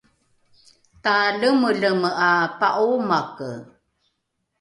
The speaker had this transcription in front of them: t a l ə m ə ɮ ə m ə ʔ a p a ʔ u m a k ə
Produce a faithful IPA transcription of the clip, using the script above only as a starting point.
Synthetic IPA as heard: t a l ə m ə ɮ ə m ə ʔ a p a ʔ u m a k ə